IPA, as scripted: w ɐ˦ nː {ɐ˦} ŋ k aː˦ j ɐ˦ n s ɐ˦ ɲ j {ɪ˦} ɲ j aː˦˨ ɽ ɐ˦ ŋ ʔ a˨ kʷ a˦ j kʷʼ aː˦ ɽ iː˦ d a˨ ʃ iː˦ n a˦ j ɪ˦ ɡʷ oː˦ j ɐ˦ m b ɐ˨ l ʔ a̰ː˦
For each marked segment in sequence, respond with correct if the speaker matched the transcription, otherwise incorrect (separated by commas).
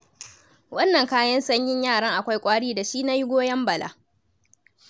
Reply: incorrect, correct